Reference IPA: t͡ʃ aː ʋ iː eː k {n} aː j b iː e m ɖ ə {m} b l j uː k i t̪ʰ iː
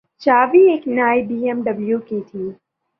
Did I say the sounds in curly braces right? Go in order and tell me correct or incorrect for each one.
correct, incorrect: none

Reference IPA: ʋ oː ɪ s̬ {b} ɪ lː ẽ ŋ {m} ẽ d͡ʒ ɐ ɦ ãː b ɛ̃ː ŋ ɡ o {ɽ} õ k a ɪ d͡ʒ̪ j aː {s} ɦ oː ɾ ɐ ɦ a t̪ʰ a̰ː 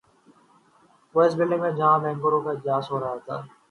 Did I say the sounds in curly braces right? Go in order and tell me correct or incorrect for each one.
correct, correct, incorrect: ɾ, correct

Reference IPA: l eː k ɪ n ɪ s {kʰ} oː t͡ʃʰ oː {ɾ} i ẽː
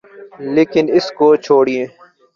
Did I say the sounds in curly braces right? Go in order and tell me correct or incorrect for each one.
incorrect: k, incorrect: ɽ

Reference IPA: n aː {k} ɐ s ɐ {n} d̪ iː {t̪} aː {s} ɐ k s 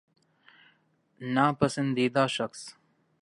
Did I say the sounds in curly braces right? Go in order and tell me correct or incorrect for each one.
incorrect: p, correct, incorrect: d̪, incorrect: ʃ

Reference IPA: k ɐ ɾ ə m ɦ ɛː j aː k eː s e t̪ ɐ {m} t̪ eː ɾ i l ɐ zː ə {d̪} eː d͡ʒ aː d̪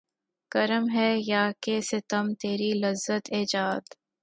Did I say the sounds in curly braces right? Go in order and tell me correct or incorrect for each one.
correct, incorrect: t̪

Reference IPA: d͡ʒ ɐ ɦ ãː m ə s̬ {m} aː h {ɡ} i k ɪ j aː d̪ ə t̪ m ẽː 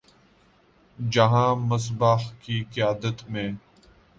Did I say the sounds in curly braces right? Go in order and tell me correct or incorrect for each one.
incorrect: b, incorrect: k

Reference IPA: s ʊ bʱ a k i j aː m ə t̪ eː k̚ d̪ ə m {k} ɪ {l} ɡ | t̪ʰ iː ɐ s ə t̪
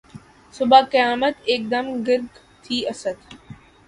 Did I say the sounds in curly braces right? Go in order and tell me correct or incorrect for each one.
incorrect: ɡ, incorrect: ɾ

